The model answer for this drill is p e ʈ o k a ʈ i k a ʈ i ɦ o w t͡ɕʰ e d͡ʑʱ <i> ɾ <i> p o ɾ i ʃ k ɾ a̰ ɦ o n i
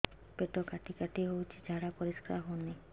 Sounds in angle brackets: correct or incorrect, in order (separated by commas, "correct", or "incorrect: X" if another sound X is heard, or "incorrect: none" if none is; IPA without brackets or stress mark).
incorrect: a, incorrect: a